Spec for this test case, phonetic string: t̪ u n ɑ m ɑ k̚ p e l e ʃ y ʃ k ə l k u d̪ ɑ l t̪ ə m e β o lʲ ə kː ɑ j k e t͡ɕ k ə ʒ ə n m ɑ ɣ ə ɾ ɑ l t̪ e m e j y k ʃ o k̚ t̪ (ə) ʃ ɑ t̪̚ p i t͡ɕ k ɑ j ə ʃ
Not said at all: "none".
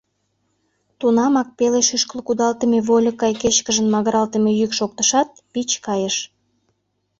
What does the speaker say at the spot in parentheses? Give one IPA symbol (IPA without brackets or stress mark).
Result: ə